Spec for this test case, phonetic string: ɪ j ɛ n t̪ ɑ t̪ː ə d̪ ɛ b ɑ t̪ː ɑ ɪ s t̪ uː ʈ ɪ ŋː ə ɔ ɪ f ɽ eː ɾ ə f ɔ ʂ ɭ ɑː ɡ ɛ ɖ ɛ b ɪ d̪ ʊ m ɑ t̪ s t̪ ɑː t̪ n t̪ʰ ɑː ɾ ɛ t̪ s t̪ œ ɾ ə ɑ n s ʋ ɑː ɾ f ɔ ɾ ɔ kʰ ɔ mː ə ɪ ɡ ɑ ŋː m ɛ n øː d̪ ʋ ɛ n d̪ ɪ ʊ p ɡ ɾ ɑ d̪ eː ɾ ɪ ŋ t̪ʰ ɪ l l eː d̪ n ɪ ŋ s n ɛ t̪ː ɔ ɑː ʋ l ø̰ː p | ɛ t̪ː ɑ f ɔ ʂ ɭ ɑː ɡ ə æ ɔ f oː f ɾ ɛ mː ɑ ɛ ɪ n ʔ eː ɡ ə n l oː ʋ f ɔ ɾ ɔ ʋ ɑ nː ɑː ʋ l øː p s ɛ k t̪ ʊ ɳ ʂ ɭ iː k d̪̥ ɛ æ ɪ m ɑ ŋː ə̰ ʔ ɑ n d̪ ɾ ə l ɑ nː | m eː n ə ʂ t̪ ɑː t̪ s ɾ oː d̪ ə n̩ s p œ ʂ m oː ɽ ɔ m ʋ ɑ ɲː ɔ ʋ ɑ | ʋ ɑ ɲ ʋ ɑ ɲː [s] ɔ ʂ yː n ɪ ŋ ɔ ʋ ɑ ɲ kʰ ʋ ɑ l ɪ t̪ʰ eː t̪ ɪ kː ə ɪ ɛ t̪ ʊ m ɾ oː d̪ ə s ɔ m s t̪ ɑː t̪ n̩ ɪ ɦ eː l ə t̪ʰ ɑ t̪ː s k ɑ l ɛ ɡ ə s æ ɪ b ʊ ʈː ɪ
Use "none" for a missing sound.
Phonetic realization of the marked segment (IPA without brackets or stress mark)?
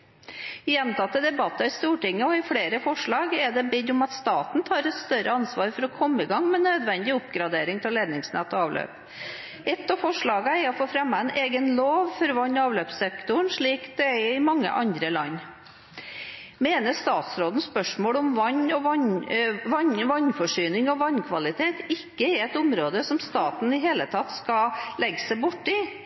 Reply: f